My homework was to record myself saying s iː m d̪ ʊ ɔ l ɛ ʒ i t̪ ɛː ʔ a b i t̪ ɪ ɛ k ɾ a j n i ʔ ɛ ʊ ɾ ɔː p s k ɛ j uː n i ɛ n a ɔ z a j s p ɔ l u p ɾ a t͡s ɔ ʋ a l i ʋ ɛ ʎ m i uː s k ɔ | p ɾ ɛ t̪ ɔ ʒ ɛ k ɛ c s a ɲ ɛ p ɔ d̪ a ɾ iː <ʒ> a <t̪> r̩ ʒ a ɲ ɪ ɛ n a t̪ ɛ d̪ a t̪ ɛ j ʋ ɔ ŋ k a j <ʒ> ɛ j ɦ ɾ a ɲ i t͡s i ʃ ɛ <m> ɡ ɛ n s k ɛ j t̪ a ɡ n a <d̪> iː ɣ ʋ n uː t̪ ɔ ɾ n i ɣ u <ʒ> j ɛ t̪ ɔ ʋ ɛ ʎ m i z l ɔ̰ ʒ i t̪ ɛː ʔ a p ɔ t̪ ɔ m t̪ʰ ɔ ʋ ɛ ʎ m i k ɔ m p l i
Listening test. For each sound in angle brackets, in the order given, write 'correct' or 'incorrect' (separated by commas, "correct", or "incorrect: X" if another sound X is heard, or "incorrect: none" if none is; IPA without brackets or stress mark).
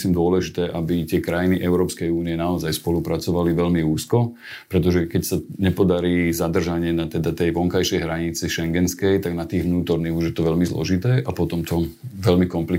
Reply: incorrect: z, incorrect: d̪, incorrect: ʃ, incorrect: ŋ, incorrect: t̪, correct